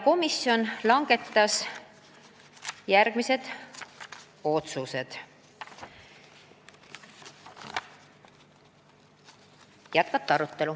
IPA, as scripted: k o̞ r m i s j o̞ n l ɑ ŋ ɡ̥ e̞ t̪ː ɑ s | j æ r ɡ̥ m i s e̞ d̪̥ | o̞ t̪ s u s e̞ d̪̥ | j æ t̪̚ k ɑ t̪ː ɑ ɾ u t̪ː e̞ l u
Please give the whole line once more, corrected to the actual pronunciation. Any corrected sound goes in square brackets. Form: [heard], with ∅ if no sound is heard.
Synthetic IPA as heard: k o̞ [∅] m i s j o̞ n l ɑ ŋ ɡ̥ e̞ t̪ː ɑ s | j æ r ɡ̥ m i s e̞ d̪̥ | o̞ t̪ s u s e̞ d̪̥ | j æ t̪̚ k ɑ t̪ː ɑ ɾ u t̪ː e̞ l u